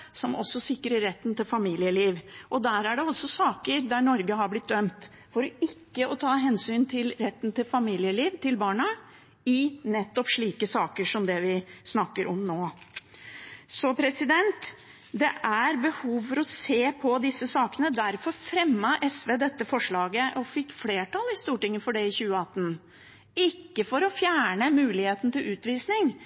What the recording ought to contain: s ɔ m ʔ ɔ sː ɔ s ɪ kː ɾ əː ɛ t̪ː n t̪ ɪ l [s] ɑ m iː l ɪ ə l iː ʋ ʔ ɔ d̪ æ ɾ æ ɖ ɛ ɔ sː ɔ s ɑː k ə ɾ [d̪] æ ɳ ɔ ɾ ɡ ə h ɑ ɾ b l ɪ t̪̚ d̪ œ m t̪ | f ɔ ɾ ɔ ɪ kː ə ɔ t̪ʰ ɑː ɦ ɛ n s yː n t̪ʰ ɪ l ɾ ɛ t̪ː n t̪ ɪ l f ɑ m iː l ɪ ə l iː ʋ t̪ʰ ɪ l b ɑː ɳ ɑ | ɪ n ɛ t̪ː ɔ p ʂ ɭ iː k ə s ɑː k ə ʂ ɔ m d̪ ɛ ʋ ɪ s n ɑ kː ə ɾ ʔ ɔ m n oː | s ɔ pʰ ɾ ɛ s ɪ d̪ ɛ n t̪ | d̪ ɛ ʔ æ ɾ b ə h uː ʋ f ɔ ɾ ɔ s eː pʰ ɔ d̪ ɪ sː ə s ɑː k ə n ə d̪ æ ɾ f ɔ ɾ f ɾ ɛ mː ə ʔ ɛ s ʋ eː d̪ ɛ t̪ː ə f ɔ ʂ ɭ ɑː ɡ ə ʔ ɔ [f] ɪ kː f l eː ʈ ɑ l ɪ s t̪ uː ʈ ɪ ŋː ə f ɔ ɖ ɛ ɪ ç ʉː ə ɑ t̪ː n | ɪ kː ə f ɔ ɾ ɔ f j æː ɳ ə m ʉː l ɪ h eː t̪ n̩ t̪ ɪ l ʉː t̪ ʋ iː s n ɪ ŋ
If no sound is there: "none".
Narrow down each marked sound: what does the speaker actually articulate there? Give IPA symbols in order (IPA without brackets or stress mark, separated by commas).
f, d̪, f